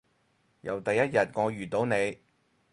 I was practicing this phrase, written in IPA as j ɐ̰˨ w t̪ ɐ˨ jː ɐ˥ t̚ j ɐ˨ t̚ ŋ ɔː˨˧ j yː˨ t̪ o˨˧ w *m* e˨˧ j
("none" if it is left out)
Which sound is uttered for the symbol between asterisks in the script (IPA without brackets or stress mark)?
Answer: n